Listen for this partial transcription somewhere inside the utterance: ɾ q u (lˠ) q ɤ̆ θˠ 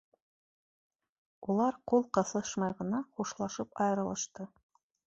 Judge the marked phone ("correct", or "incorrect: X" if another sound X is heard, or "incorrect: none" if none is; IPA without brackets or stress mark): correct